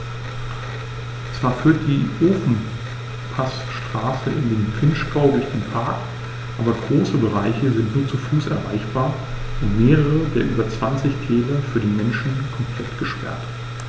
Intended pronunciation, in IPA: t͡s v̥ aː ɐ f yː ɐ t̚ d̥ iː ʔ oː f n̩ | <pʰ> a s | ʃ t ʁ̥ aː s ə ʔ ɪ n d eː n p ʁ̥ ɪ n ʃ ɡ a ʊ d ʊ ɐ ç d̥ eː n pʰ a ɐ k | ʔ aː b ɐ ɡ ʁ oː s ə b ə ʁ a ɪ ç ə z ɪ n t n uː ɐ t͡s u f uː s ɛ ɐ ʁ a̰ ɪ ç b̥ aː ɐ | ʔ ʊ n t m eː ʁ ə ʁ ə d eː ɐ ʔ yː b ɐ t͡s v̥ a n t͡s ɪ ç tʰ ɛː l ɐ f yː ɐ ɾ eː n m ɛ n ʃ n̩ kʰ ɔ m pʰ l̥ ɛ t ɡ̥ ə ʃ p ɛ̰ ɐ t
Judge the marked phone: correct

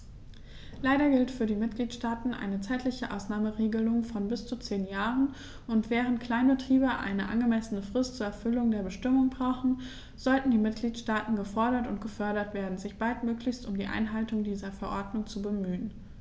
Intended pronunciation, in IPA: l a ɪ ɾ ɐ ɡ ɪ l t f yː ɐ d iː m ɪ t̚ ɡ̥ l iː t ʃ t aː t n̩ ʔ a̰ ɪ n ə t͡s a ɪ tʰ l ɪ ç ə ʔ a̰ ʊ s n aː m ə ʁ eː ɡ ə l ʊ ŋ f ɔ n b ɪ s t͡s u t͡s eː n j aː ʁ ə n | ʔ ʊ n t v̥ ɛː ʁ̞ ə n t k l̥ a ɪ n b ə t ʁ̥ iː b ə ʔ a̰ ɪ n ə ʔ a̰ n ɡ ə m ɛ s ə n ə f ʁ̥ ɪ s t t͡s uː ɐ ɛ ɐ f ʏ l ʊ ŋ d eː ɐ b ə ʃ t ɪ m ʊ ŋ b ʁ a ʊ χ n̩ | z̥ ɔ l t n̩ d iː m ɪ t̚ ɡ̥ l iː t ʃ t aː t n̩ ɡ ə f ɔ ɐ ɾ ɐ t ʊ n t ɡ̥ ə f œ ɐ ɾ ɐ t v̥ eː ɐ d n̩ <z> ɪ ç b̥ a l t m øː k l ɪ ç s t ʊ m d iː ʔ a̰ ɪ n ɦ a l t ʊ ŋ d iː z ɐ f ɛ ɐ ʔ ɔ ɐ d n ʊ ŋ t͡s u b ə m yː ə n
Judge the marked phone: correct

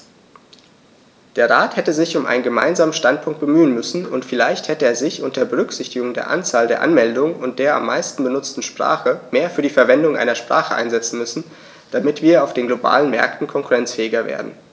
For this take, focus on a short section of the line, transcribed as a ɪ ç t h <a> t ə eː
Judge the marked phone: incorrect: ɛ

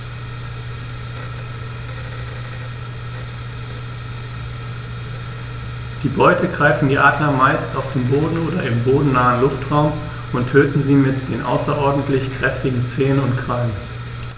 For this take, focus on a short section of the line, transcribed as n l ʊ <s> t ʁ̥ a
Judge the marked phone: incorrect: f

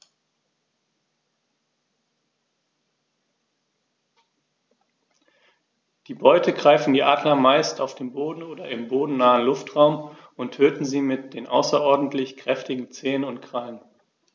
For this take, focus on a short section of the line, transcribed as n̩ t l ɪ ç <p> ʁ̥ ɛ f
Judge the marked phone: incorrect: k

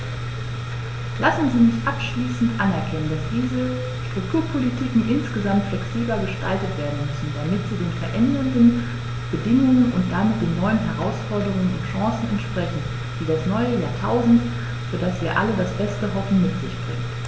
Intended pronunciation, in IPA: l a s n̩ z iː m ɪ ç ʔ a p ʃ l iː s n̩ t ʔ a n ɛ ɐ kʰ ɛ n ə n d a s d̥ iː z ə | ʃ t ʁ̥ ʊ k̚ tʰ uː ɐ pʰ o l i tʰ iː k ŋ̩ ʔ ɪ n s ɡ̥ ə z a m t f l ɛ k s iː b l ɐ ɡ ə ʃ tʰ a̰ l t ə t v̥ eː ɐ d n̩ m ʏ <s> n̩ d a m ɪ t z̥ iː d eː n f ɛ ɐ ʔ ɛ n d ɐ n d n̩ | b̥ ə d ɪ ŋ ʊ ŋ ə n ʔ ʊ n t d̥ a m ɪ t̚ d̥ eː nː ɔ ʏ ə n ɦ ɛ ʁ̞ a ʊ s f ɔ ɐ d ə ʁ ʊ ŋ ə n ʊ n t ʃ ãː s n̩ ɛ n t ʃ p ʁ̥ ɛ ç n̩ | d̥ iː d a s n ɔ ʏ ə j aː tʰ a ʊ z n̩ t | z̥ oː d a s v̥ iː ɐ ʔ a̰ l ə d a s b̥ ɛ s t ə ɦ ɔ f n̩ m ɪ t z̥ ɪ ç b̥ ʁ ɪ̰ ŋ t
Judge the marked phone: correct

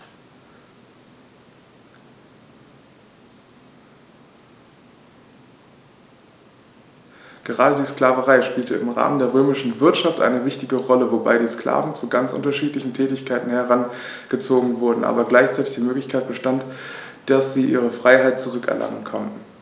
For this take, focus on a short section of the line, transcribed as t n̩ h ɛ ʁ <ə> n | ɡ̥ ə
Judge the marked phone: incorrect: a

